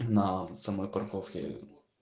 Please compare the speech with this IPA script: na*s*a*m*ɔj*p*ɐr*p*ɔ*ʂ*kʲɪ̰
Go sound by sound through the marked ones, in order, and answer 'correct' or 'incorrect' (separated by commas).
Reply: correct, correct, correct, incorrect, incorrect